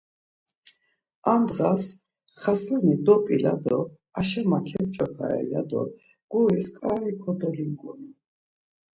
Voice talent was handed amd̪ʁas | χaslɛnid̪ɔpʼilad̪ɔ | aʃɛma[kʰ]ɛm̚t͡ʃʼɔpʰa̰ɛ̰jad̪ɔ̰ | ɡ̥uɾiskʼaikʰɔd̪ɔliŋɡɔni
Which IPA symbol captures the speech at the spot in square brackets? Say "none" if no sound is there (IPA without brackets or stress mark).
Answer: kʰ